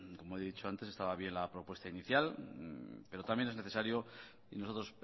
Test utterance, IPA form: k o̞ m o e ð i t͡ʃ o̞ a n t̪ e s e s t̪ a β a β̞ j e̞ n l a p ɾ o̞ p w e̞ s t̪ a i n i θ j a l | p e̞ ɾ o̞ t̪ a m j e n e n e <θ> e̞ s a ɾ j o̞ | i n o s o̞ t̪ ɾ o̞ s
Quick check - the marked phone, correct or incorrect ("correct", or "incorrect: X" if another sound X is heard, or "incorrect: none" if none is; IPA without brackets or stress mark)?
correct